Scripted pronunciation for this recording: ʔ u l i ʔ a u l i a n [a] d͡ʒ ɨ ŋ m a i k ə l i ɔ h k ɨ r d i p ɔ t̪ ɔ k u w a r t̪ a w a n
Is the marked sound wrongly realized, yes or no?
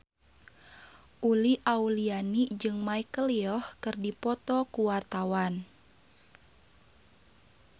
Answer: yes